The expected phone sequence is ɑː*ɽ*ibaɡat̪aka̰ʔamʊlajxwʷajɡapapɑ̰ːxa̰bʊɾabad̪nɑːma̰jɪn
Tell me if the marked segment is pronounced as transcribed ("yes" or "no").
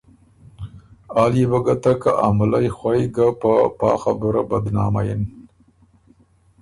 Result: no